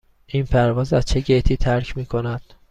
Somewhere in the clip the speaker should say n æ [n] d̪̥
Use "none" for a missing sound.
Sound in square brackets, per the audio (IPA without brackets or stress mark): none